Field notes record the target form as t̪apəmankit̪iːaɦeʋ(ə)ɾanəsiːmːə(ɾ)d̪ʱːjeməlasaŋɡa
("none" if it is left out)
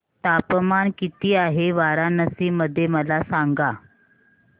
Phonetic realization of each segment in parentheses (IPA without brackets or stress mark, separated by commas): a, none